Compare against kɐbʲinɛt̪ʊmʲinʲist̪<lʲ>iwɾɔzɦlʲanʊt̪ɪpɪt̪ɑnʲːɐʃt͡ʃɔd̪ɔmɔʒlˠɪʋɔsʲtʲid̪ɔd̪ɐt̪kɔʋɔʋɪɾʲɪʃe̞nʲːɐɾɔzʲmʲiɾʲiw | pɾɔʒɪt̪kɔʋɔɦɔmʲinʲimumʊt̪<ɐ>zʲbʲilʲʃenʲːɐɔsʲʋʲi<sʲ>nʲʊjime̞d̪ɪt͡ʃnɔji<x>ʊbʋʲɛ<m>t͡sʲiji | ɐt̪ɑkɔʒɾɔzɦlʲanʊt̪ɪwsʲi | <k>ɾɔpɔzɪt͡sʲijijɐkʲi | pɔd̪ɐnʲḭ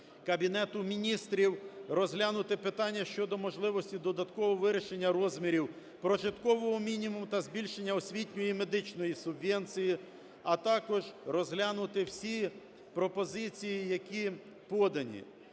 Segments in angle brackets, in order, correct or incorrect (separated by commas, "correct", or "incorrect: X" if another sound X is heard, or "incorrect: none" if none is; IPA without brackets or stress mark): incorrect: ɾʲ, correct, incorrect: tʲ, incorrect: s, incorrect: n, incorrect: p